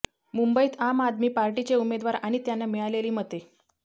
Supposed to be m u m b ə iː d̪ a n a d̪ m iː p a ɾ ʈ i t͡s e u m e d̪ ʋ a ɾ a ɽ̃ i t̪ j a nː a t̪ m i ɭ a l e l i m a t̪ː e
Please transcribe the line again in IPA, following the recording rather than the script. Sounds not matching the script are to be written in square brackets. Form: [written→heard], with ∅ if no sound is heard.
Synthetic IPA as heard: m u m b ə iː [d̪→t̪] a [n→m] a d̪ m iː p a ɾ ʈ i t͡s e u m e d̪ ʋ a ɾ a ɽ̃ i t̪ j a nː a [t̪→∅] m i ɭ a l e l [i→iː] m [a→ə] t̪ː e